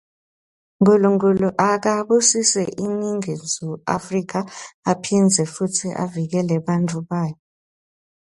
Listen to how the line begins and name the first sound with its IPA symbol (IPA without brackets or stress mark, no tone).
ŋ